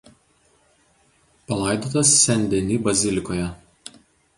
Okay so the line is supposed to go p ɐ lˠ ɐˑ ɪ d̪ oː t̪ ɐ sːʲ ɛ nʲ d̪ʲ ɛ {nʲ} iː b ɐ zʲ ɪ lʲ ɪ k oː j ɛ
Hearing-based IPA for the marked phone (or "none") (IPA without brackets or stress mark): nʲ